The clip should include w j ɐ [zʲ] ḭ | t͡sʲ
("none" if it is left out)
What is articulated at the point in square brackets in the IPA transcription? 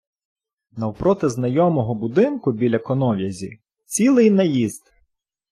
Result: zʲ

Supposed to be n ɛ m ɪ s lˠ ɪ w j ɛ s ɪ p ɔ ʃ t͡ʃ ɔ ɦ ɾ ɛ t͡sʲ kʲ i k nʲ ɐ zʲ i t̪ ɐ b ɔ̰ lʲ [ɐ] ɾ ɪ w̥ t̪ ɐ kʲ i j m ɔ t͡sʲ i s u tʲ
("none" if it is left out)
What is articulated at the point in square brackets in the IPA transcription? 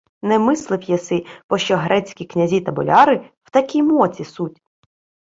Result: ɑ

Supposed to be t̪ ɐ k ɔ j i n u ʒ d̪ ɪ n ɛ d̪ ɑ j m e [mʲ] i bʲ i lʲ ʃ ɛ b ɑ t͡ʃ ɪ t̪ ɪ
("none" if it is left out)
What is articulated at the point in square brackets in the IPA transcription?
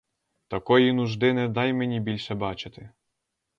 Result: nʲ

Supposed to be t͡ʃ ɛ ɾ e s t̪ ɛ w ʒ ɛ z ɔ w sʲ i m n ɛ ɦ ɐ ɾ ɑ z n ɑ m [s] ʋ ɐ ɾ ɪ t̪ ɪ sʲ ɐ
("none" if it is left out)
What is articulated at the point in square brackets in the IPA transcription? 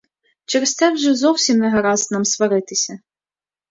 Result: s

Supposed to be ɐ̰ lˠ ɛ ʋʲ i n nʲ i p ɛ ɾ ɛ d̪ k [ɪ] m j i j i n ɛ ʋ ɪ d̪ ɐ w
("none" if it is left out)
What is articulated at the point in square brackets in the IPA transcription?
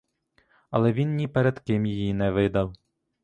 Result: ɪ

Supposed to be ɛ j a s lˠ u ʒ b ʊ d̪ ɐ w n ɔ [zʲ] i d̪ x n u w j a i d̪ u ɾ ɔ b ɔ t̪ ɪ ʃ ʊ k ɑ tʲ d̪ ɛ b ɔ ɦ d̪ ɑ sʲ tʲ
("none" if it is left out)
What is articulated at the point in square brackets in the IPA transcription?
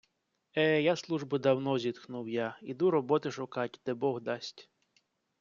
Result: zʲ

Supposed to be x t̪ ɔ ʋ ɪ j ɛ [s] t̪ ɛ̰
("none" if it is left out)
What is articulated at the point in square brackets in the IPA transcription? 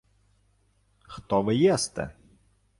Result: s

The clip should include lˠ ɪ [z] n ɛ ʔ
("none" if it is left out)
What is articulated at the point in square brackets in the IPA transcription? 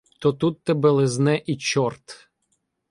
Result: z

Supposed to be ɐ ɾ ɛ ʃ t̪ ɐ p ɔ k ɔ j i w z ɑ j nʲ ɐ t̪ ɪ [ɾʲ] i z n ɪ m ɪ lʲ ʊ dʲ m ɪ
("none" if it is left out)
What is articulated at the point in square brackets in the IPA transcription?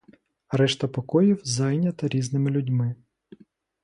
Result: ɾʲ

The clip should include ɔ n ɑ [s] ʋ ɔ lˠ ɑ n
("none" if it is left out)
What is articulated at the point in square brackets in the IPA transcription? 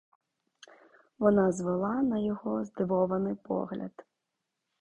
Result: z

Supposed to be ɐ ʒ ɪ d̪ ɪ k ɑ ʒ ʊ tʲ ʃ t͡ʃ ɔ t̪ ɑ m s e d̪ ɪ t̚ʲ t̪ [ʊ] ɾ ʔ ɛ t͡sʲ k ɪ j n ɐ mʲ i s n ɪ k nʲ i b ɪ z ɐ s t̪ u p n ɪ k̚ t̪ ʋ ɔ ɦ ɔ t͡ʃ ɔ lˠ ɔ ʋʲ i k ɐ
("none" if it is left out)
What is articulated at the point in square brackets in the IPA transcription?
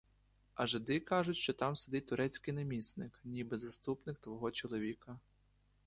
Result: ʊ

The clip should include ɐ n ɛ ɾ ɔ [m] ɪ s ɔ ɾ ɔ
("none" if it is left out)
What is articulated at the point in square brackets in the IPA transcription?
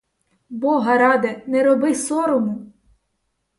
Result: b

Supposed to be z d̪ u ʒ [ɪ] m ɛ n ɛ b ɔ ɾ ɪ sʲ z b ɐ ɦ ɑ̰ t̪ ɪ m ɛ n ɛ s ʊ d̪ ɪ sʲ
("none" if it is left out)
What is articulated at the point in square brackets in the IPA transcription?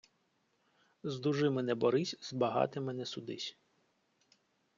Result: ɪ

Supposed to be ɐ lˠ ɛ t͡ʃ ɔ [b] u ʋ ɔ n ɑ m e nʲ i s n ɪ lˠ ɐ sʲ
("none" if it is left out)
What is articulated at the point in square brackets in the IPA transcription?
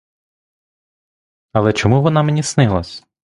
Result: m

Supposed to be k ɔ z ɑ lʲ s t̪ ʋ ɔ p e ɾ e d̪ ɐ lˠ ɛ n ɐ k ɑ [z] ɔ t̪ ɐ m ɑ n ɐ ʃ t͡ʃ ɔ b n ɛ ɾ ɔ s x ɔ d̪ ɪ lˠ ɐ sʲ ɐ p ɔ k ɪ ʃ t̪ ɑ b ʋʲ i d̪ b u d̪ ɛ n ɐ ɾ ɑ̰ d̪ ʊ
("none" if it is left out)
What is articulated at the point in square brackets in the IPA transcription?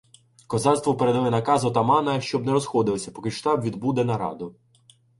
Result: z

